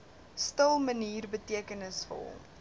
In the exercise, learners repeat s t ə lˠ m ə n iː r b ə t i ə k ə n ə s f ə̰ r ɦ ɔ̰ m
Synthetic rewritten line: s t ə lˠ m ə n iː r b ə t i ə k ə n ə s f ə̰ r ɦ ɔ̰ m